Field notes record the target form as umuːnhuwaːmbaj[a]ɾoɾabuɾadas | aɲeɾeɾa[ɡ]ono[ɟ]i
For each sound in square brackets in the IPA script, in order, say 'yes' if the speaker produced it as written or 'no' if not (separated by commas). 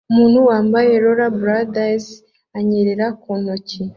no, no, no